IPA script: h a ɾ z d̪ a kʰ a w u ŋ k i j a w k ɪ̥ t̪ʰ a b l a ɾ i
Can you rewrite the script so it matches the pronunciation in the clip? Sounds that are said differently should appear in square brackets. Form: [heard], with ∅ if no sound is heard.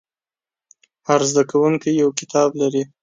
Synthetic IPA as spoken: h a ɾ z d̪ a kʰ a w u ŋ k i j a w k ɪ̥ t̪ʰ [ɑ] b l a ɾ i